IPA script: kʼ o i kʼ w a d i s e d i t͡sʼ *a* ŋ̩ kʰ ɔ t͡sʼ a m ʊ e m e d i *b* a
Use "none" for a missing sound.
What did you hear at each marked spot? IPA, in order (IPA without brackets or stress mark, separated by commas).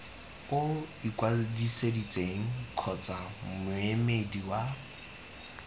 e, w